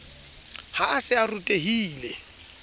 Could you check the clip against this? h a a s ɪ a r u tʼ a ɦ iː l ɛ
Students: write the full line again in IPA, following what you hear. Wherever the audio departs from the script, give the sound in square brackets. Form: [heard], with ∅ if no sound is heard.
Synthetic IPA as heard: h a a s ɪ a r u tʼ [e] ɦ iː l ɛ